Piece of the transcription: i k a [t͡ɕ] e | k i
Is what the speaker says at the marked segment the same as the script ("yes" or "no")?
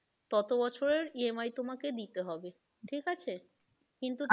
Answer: no